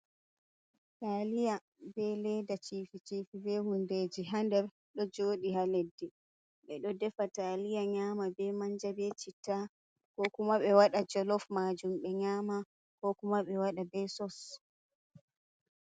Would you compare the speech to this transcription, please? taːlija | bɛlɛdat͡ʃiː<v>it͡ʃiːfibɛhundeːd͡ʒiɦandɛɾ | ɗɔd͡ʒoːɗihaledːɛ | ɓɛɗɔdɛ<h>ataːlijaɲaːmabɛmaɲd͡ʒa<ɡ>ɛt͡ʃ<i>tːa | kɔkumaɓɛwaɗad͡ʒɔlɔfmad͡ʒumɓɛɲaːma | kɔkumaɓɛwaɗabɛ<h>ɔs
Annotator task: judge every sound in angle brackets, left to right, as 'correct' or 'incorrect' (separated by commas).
incorrect, incorrect, incorrect, correct, incorrect